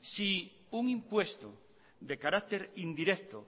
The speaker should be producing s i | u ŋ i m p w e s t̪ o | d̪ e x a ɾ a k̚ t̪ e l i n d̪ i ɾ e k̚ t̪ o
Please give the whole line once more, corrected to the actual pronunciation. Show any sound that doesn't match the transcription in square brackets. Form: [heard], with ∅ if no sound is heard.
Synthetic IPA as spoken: s i | u ŋ i m p w e s t̪ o | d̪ e [k] a ɾ a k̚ t̪ e [ɾ] i n d̪ i ɾ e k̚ t̪ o